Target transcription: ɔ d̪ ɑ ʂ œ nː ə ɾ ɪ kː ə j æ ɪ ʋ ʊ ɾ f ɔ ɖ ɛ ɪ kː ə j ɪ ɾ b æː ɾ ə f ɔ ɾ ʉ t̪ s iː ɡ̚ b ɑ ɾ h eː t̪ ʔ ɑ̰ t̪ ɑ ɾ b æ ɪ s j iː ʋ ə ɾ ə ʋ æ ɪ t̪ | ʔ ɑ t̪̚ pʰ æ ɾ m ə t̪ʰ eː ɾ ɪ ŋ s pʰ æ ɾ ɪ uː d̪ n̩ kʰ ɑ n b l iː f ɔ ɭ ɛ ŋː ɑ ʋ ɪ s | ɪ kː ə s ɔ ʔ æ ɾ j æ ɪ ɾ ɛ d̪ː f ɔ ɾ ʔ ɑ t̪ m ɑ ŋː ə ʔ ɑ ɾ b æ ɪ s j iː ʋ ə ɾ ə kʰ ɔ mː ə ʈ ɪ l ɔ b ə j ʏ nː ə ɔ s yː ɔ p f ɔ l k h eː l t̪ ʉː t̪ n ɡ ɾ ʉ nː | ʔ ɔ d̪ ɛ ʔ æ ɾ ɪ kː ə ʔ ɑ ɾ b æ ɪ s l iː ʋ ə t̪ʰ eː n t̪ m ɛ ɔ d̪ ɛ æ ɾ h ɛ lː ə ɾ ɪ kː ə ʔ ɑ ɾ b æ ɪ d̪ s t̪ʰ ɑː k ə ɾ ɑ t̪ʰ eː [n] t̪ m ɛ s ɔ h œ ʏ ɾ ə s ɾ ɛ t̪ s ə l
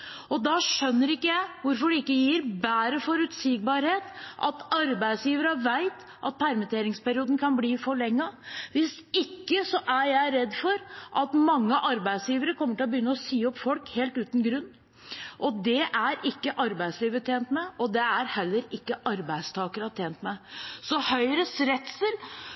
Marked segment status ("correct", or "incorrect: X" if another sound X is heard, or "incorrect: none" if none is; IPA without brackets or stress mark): correct